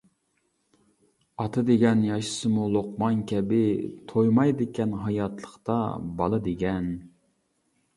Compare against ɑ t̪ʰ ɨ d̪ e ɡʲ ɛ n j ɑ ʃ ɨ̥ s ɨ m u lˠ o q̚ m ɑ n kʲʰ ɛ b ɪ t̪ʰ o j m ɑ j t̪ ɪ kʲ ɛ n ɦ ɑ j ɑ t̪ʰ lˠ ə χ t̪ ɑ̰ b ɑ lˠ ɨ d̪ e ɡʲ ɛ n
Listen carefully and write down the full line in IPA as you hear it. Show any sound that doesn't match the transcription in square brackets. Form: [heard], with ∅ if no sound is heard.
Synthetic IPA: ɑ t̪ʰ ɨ d̪ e ɡʲ ɛ n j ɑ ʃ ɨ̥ s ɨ m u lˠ o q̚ m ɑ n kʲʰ ɛ b ɪ t̪ʰ o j m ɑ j [d̪] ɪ kʲ ɛ n ɦ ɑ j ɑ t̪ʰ lˠ ə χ t̪ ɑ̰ b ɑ lˠ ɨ d̪ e ɡʲ ɛ n